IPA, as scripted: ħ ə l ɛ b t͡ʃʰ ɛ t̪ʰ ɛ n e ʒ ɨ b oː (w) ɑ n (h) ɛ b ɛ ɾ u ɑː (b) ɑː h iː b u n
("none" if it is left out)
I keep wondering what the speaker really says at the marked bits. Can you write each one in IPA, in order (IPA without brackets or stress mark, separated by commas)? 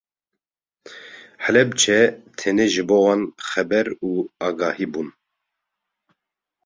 w, x, ɡ